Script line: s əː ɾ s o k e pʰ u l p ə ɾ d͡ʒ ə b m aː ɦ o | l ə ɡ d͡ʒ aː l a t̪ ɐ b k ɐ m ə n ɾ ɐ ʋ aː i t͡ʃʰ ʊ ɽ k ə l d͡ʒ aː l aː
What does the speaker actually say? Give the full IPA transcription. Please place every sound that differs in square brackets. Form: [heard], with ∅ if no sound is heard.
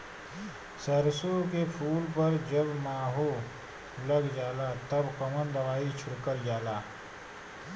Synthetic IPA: s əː ɾ s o k e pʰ [uː] l p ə ɾ d͡ʒ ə b m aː ɦ o | l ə ɡ d͡ʒ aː l a t̪ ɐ b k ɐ m ə n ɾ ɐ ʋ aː i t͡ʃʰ ʊ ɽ k ə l d͡ʒ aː l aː